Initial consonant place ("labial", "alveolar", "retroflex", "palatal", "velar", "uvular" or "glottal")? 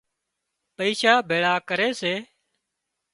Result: labial